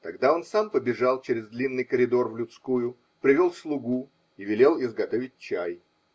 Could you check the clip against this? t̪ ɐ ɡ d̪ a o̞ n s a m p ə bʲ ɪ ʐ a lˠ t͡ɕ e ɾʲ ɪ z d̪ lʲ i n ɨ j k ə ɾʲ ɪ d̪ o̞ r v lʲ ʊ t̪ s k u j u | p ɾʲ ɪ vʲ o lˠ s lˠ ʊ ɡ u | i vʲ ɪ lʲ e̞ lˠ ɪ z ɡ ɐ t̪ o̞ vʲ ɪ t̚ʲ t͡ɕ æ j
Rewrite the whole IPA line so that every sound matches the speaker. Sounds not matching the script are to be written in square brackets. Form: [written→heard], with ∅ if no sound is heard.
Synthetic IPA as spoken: t̪ ɐ ɡ d̪ a o̞ n s a m p ə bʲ ɪ ʐ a lˠ t͡ɕ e ɾʲ ɪ z d̪ lʲ i [n→nː] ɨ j k ə ɾʲ ɪ d̪ o̞ r v lʲ ʊ t̪ s k u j [u→ʊ] | p ɾʲ ɪ vʲ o lˠ s lˠ ʊ ɡ u | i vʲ ɪ lʲ e̞ lˠ ɪ z ɡ ɐ t̪ o̞ vʲ ɪ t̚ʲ t͡ɕ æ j